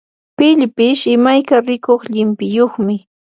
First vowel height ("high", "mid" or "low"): high